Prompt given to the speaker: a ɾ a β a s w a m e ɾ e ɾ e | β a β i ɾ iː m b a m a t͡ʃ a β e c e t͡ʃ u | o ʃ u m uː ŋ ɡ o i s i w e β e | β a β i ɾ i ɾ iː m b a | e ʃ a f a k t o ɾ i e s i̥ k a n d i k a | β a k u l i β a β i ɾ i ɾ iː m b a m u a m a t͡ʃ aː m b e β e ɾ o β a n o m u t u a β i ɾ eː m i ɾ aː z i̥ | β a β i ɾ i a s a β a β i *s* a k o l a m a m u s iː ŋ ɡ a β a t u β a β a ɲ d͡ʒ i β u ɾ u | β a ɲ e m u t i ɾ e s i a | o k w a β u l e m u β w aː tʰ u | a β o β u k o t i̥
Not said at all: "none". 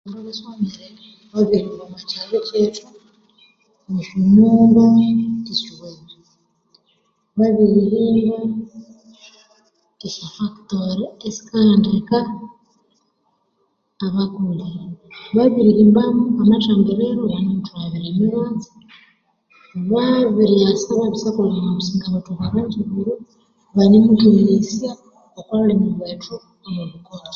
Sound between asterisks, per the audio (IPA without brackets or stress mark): s